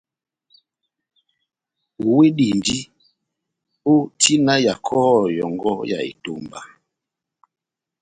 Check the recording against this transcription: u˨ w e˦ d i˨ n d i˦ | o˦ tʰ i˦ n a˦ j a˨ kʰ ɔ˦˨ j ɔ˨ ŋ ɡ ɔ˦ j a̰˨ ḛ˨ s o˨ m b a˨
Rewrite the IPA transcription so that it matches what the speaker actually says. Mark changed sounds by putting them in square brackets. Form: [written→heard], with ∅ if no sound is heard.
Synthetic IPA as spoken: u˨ w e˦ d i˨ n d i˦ | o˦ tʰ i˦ n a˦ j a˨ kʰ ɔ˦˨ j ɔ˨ ŋ ɡ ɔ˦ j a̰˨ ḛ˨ [s→t] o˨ m b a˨